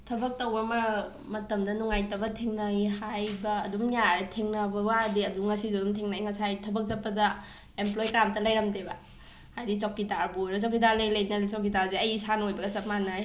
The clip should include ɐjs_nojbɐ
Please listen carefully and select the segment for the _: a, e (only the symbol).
a